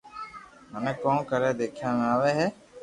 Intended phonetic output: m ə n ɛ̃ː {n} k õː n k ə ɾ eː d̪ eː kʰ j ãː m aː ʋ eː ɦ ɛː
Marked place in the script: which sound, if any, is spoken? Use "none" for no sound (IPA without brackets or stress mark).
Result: none